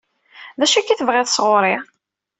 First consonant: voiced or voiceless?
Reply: voiced